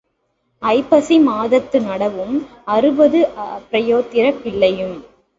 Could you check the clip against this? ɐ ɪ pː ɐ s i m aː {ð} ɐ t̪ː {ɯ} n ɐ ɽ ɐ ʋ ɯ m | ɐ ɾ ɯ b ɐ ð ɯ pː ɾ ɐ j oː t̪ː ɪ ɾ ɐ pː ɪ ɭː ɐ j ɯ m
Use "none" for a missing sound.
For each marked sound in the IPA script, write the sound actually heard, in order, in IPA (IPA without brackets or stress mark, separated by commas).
ð, ɯ